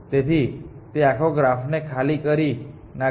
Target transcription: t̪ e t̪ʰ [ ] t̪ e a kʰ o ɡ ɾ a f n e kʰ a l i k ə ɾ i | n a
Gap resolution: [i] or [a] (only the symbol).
i